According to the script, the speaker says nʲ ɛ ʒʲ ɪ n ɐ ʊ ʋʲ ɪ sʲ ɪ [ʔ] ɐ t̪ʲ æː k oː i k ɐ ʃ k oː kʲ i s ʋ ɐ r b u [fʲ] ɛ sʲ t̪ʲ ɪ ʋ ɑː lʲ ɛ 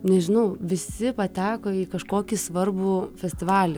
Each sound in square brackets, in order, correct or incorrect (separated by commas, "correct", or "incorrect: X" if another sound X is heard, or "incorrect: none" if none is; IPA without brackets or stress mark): incorrect: p, correct